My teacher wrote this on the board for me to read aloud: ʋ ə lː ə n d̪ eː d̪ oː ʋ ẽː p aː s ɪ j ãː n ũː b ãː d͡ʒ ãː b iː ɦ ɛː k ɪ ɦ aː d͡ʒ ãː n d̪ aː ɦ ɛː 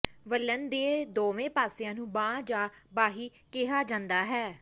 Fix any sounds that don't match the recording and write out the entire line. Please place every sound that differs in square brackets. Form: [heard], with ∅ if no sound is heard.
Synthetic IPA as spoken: ʋ ə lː ə n d̪ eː d̪ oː ʋ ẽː p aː s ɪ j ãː n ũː b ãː d͡ʒ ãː b [aː] ɦ [iː] k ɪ ɦ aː d͡ʒ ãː n d̪ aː ɦ ɛː